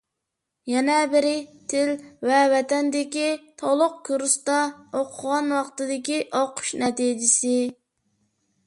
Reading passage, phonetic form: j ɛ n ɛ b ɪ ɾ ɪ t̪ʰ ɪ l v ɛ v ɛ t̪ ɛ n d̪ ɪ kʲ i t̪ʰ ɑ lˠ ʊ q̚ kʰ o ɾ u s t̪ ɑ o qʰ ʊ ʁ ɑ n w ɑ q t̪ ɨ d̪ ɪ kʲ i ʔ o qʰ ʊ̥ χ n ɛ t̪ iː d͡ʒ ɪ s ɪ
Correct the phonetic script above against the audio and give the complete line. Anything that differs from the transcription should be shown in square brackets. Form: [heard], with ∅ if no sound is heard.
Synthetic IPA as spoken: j ɛ n ɛ b ɪ ɾ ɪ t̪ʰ ɪ l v ɛ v ɛ t̪ ɛ n d̪ ɪ kʲ i t̪ʰ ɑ lˠ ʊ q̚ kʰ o ɾ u s t̪ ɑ o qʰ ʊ ʁ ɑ n w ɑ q t̪ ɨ d̪ ɪ kʲ i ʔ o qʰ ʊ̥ [ʃ] n ɛ t̪ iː d͡ʒ ɪ s ɪ